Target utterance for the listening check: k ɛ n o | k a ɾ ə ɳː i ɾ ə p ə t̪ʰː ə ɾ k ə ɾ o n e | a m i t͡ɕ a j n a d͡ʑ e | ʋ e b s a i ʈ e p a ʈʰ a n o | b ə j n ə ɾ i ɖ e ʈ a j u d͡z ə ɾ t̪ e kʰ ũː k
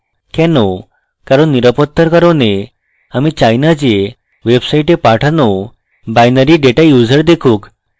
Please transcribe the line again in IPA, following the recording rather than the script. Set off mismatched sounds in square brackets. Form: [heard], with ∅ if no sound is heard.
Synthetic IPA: k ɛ n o | k a ɾ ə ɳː i ɾ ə p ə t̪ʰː ə ɾ k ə ɾ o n e | a m i t͡ɕ a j n a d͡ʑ e | ʋ e b s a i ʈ e p a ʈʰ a n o | b [a] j n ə ɾ i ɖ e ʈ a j u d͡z ə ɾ [d̪] e kʰ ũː k